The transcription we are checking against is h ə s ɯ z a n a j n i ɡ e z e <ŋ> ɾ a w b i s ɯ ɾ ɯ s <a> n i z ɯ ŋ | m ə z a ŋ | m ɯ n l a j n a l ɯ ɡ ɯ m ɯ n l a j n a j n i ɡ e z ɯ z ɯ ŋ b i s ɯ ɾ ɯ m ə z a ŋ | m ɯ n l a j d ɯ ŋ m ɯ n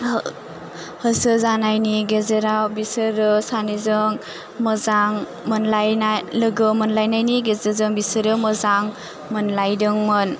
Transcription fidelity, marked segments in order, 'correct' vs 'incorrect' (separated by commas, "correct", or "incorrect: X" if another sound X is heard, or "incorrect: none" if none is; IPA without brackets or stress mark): incorrect: none, correct